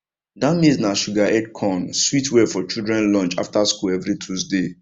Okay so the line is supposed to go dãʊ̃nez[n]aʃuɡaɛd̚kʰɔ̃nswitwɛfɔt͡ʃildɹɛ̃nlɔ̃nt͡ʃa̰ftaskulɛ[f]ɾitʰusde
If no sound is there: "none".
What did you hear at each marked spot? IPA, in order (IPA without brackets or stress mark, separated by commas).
n, v